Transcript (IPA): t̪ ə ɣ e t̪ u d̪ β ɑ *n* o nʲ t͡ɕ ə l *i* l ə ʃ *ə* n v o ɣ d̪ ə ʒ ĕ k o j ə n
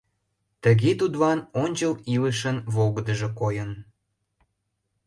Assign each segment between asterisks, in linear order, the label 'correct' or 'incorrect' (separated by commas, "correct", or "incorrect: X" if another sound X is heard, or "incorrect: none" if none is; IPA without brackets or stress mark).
correct, correct, correct